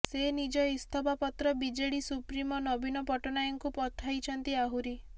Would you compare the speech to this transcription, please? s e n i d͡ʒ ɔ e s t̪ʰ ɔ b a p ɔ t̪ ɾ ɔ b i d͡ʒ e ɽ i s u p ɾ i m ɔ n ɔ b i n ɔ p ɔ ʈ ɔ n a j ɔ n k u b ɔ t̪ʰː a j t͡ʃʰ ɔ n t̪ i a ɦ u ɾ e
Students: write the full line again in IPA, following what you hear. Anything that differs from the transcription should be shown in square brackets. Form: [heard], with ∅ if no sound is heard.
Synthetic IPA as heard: s e n i d͡ʒ ɔ [i] s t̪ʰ ɔ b a p ɔ t̪ ɾ ɔ b i d͡ʒ e ɽ i s u p ɾ i m ɔ n ɔ b i n ɔ p ɔ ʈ ɔ n a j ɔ [ŋ] k u [p] ɔ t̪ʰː a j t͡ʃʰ ɔ n t̪ i a ɦ u ɾ [i]